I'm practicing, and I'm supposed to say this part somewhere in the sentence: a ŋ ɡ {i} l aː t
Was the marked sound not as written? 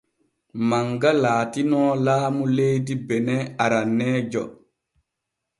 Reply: yes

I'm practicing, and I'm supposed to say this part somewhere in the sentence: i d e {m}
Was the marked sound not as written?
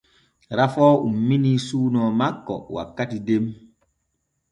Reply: no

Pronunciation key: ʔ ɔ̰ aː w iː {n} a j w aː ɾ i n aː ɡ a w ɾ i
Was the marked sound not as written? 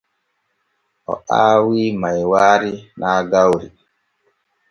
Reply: yes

